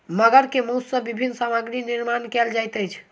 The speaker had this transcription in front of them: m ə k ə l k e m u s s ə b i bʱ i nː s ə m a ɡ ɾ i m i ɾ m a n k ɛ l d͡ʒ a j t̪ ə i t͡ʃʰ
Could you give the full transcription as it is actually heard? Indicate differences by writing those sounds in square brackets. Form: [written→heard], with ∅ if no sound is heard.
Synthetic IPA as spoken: m ə [k→ɡ] ə [l→ɾ] k e m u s s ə b i bʱ i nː s [ə→a] m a ɡ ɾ i [m→n] i ɾ m a n k ɛ l d͡ʒ a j t̪ ə [i→j] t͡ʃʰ